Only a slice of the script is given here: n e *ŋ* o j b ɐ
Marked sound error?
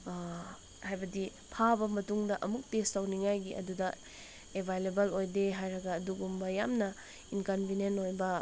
yes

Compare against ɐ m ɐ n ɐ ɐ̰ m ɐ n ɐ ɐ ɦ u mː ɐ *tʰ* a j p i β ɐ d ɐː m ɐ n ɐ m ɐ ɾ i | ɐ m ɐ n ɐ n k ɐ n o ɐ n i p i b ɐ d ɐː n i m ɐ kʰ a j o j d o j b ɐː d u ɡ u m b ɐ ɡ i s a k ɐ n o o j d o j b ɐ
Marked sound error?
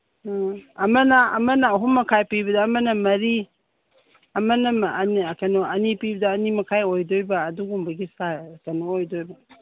yes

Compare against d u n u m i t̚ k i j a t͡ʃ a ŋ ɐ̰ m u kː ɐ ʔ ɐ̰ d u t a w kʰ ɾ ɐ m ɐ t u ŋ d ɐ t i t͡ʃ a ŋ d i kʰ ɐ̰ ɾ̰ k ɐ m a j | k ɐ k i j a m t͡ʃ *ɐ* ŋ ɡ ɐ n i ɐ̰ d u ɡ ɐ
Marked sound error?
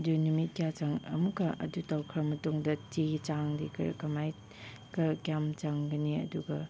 yes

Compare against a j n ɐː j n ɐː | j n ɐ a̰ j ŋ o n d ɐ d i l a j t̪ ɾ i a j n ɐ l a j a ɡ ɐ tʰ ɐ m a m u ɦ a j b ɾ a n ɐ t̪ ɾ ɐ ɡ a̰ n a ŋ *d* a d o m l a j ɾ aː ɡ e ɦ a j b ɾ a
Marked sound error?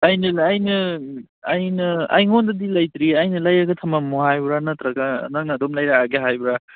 yes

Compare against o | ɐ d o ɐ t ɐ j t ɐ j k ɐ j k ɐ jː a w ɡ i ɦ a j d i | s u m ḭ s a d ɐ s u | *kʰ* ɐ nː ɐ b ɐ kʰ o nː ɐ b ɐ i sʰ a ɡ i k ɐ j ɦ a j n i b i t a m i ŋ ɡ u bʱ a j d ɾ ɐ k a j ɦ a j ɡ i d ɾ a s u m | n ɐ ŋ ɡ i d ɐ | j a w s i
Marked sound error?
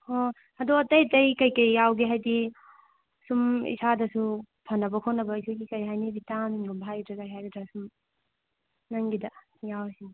yes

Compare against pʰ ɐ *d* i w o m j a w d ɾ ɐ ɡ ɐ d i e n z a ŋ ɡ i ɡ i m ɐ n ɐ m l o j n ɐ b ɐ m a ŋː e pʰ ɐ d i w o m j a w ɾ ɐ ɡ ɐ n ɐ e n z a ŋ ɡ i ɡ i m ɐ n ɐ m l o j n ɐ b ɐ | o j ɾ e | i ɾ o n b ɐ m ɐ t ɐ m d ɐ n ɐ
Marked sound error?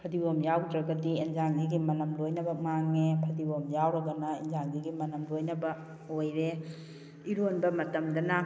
no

